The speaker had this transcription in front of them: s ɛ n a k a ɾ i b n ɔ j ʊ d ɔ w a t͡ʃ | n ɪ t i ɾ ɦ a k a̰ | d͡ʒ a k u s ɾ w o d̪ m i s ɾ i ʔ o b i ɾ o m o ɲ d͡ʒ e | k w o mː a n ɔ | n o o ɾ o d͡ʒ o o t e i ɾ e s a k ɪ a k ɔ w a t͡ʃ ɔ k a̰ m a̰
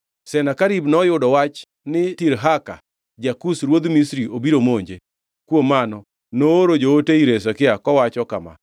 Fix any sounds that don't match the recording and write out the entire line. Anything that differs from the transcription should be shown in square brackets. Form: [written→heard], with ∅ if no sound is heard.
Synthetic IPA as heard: s ɛ n a k a ɾ i b n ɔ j ʊ d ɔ w a t͡ʃ | n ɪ t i ɾ ɦ a k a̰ | d͡ʒ a k u s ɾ w o d̪ m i s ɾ i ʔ o b i ɾ o m o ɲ d͡ʒ e | k w o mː a n ɔ | n o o ɾ o d͡ʒ o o t e i ɾ e s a k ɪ a k ɔ w a t͡ʃ ɔ k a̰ m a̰